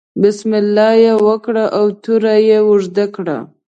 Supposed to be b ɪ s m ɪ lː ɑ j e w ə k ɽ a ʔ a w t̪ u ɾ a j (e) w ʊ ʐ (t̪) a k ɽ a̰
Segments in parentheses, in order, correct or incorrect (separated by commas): correct, incorrect